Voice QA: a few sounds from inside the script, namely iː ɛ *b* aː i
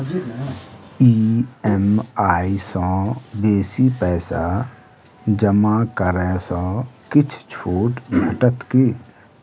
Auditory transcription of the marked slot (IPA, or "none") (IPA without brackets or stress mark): m